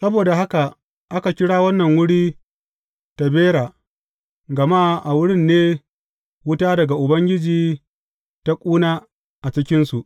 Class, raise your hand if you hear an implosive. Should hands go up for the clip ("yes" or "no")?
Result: no